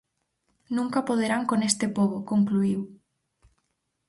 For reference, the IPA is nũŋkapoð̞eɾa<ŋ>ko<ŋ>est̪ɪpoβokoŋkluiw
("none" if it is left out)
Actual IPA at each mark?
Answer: ŋ, n

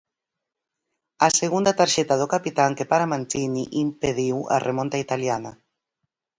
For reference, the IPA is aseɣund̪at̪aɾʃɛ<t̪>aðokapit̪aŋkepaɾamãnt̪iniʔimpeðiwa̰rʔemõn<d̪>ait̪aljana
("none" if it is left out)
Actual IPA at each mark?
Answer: t̪, t̪

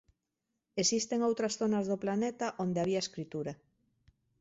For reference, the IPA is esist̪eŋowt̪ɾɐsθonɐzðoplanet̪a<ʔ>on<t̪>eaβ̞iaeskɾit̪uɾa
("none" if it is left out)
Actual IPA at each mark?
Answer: ʔ, d̪

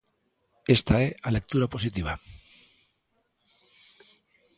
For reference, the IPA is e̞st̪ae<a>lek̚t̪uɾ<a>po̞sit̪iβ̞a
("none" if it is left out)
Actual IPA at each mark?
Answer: a, a

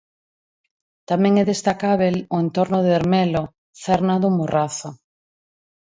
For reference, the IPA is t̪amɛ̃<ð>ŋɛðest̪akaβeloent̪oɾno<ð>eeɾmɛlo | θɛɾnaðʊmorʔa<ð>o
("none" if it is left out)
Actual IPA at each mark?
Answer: none, ð, θ

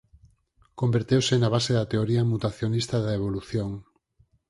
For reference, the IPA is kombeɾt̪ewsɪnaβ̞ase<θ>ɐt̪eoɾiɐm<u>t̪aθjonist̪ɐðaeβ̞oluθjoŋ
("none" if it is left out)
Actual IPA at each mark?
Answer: ð, u

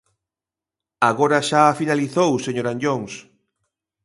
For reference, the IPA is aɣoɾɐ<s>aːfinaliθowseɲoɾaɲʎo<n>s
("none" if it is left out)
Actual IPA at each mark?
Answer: ʃ, ŋ

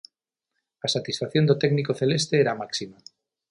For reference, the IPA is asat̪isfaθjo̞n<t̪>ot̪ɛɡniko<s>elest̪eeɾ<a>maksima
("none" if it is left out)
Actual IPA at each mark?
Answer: d̪, θ, a

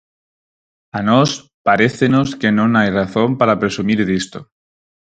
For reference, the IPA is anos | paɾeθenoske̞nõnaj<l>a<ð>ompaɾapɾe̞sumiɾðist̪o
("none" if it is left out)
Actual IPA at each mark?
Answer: r, θ

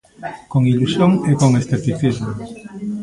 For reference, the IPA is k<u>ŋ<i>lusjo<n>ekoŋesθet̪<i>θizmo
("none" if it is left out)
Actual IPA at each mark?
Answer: o, i, ŋ, i

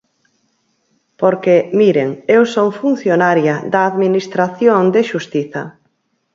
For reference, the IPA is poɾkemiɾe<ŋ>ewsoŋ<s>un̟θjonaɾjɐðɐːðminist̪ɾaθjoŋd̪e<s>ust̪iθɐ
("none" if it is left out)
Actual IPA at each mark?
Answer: ŋ, f, ʃ

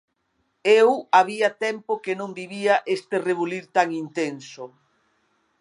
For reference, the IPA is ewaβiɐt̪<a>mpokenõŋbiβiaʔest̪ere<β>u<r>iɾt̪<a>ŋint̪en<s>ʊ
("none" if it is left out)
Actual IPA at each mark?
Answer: ɛ, β, l, a, s

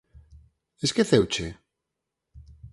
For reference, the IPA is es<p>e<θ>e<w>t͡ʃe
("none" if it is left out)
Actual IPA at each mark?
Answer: k, θ, w

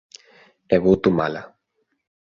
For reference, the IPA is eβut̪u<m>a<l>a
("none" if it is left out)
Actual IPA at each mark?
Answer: m, l

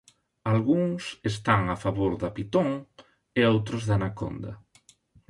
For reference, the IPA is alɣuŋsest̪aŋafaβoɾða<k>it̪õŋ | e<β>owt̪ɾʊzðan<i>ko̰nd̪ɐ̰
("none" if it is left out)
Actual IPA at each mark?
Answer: p, none, a

